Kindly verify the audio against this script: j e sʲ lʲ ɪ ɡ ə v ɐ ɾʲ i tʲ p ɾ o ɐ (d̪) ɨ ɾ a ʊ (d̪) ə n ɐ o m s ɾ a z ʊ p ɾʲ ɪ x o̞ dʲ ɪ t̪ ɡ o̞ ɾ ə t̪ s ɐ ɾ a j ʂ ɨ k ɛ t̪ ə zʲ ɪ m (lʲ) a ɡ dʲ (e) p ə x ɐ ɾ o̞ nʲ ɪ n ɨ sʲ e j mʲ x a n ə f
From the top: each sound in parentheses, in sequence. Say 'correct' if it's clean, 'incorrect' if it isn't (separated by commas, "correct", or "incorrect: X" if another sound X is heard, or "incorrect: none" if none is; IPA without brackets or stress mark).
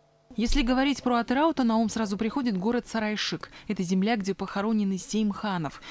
incorrect: t̪, incorrect: t̪, correct, correct